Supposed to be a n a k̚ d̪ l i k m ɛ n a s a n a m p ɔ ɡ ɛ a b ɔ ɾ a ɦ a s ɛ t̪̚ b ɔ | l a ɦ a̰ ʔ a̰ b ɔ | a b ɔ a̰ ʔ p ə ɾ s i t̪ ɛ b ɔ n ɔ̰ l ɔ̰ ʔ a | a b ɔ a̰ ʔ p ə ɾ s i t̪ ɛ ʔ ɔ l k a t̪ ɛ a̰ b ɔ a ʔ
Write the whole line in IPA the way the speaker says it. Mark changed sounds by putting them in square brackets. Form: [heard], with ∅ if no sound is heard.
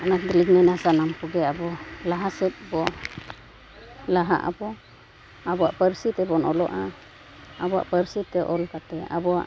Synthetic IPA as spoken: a n a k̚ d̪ l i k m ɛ n a s a n a m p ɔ ɡ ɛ a b ɔ [l] a ɦ a s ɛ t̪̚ b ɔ | l a ɦ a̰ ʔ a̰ b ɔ | a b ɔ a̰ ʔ p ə ɾ s i t̪ ɛ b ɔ n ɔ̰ l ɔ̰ ʔ a | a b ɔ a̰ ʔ p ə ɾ s i t̪ ɛ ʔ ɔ l k a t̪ ɛ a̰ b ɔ a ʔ